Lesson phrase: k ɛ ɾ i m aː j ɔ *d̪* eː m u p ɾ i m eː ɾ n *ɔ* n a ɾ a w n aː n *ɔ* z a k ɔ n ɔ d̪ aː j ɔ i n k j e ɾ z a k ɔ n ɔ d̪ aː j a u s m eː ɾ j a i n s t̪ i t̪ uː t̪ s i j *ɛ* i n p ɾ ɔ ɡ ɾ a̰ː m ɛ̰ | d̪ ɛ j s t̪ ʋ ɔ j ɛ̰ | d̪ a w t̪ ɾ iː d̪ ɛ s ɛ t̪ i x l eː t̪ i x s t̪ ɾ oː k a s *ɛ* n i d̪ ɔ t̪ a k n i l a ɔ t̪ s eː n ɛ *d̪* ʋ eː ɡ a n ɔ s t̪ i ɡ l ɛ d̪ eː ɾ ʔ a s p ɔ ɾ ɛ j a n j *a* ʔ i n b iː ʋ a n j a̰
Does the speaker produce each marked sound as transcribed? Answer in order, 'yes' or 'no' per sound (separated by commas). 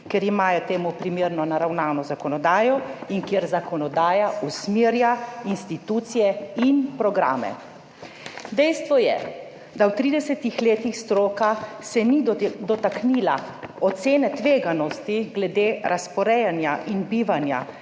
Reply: no, yes, yes, yes, yes, no, yes